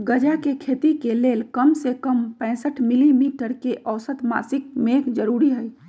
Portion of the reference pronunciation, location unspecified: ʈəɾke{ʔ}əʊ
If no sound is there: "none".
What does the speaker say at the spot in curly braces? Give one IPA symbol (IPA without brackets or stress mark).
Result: ʔ